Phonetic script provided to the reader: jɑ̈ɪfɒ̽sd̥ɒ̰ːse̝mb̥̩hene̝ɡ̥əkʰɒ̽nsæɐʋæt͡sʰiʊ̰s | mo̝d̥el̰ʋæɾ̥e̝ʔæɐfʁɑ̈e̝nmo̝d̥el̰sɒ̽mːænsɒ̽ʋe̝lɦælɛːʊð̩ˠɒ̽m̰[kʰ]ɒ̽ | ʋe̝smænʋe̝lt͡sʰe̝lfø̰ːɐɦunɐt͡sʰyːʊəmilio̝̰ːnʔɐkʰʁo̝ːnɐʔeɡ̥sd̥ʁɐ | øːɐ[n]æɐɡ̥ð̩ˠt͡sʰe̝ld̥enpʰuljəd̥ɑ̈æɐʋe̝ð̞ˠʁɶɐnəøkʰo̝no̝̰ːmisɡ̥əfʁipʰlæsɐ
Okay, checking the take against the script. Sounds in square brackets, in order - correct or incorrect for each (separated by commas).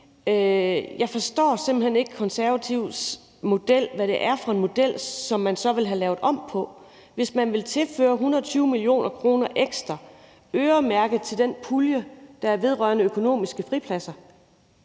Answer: incorrect, incorrect